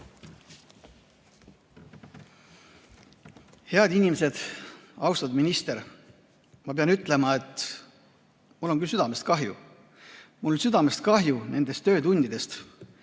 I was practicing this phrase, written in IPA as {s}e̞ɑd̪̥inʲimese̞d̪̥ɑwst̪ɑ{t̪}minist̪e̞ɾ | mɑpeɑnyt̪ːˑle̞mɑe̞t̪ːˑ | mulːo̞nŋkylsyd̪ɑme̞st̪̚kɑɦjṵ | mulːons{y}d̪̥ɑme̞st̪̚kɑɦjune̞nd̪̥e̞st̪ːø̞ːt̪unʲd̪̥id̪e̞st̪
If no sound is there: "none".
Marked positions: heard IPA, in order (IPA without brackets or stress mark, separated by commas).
h, d̪, y